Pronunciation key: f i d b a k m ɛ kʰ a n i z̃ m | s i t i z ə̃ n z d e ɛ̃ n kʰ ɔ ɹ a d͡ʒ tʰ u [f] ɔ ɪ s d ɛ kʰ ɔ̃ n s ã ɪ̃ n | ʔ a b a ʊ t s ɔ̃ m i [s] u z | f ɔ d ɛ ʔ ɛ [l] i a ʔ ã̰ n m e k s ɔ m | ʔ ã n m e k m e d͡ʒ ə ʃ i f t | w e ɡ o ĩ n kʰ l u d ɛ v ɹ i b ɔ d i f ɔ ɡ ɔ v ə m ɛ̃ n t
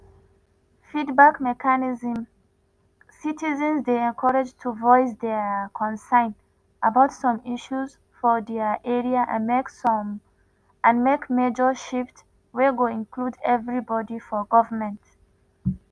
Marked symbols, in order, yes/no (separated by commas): no, no, no